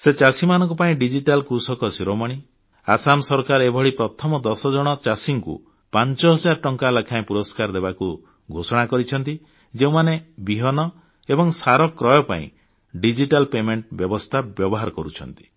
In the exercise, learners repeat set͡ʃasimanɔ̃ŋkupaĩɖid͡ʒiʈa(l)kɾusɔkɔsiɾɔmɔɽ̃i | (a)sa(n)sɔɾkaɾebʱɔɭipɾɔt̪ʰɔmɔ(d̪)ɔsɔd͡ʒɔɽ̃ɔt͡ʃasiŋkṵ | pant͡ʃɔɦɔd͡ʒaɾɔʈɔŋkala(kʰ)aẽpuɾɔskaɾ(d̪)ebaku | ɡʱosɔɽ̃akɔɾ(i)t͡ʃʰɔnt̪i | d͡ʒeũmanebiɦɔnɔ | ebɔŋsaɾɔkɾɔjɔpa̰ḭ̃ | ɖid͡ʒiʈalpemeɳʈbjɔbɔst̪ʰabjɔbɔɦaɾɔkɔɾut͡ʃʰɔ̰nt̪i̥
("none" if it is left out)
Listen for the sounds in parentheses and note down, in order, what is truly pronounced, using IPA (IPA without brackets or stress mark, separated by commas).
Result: l, a, m, d̪, kʰ, d̪, i